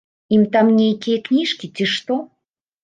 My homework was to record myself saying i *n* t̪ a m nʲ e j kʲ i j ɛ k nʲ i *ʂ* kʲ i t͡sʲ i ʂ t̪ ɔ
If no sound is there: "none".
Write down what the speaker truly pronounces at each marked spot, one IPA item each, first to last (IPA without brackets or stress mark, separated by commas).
m, ʂ